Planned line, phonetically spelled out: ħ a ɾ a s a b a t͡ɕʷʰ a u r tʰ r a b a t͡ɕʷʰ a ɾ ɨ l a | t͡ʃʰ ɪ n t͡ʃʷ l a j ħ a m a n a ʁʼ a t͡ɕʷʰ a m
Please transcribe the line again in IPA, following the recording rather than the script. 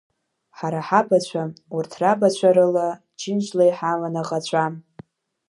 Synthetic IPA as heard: ħ a ɾ a ħ a b a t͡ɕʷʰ a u r tʰ r a b a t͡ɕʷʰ a ɾ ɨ l a | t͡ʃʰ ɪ n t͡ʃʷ l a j ħ a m a n a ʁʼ a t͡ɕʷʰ a m